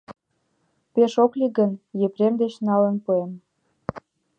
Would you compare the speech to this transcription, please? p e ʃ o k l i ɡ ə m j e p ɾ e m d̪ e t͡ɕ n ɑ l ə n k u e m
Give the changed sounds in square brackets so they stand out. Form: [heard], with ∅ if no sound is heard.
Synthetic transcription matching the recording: p e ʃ o k l i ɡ ə [n] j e p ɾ e m d̪ e t͡ɕ n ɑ l ə n [p] u e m